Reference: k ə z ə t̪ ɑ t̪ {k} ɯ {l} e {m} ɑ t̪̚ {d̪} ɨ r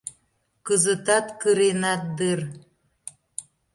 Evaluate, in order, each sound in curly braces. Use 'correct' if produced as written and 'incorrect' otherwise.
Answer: correct, incorrect: ɾ, incorrect: n, correct

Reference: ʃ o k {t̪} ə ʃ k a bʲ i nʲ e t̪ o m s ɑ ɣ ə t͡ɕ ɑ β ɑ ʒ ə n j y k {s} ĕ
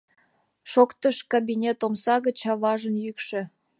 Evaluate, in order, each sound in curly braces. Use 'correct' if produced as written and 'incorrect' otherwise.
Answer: correct, incorrect: ʃ

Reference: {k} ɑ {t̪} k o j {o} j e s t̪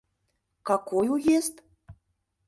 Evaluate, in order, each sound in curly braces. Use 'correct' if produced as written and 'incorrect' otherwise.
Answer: correct, incorrect: none, incorrect: u

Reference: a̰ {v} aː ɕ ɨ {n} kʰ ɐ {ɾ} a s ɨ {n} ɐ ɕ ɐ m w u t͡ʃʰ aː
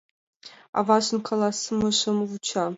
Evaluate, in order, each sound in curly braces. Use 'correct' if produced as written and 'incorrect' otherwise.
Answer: correct, correct, incorrect: l, incorrect: m

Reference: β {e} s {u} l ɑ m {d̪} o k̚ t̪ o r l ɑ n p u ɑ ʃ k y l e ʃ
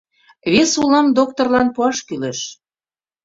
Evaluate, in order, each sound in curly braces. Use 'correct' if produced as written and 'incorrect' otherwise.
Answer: correct, correct, correct

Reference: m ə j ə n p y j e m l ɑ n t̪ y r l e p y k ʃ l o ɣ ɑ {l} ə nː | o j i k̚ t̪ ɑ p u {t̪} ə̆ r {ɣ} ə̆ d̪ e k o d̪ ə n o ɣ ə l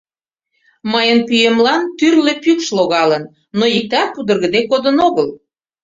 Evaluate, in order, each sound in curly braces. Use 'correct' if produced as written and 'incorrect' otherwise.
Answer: correct, incorrect: d̪, correct

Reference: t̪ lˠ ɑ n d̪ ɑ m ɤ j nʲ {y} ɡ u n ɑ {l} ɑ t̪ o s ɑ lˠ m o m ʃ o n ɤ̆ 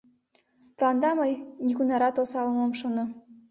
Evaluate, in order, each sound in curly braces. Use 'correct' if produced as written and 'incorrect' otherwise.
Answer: incorrect: i, incorrect: ɾ

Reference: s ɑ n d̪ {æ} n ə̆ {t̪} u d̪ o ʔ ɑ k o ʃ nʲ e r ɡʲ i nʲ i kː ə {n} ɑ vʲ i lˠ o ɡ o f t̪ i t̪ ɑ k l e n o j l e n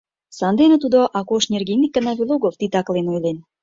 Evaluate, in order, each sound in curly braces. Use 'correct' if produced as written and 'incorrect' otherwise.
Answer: incorrect: e, correct, correct

